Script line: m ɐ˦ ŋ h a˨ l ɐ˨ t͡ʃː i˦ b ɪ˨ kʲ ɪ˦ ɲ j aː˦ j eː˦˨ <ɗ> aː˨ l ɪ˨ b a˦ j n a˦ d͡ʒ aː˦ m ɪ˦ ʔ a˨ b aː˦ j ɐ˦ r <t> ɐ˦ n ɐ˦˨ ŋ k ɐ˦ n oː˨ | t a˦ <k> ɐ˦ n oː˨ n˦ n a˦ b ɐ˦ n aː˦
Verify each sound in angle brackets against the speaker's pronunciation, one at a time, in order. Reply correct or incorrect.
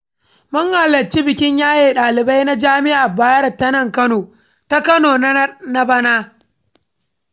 correct, correct, correct

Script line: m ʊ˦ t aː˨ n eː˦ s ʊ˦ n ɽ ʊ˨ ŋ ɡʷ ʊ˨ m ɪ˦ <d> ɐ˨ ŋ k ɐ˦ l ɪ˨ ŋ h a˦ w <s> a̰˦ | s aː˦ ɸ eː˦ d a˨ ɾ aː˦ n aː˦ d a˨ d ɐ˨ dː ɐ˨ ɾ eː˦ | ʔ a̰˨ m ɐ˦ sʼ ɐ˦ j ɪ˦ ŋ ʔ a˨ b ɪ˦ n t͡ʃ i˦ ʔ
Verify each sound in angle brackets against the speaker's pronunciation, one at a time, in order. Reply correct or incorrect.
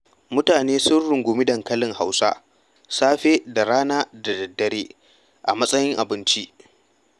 correct, correct

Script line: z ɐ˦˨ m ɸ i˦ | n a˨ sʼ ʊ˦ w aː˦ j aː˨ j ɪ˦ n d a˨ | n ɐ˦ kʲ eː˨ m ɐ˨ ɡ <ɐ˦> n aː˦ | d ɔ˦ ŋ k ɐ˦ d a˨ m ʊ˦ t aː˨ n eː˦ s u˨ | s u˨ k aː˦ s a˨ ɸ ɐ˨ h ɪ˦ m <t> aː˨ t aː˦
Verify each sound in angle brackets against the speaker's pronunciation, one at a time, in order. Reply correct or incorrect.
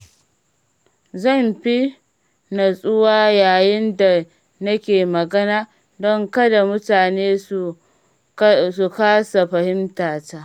correct, correct

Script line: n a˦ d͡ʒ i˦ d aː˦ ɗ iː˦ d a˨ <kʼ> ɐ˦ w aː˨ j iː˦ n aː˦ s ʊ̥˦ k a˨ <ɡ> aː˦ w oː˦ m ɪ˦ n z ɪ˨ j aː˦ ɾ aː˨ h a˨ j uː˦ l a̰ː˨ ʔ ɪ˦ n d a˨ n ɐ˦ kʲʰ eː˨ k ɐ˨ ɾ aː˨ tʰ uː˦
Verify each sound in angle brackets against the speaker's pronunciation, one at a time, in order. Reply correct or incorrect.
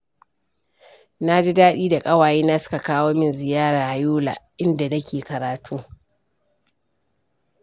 correct, incorrect: k

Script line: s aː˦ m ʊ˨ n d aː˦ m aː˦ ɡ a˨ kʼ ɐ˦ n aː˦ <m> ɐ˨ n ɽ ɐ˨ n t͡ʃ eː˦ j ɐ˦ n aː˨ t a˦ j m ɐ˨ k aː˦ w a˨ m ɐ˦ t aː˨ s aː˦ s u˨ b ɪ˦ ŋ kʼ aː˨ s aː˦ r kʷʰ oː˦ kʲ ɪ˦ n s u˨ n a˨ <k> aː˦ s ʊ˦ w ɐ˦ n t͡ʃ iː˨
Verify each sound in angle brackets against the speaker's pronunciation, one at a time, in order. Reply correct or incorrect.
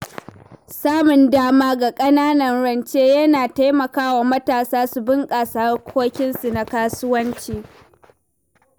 incorrect: n, correct

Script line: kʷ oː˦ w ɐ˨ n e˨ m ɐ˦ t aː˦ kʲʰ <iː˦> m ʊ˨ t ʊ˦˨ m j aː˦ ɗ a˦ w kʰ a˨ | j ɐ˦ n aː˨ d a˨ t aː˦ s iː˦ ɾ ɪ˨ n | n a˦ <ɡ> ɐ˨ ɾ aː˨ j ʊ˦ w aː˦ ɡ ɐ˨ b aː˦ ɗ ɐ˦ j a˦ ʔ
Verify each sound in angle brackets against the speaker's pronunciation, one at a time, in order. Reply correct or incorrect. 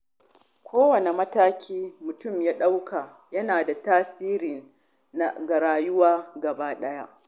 correct, correct

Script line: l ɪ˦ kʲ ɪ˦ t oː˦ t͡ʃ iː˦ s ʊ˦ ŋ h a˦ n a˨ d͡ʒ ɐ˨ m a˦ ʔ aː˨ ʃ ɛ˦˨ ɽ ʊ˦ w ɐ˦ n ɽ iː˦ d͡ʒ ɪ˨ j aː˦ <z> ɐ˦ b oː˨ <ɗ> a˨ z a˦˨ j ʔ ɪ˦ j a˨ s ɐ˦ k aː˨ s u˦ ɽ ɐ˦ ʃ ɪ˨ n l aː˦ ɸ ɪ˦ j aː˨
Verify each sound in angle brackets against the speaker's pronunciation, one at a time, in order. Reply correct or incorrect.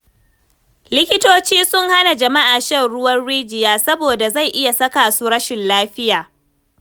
incorrect: s, incorrect: d

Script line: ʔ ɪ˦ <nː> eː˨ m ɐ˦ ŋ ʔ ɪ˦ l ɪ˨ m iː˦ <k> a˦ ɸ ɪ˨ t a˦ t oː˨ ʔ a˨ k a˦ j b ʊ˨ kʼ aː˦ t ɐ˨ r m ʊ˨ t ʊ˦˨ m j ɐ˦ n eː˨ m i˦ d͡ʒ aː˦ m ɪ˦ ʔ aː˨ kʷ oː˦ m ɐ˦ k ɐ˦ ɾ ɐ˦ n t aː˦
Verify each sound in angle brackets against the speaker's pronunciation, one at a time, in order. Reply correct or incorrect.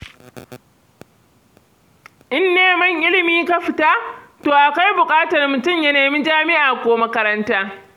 correct, correct

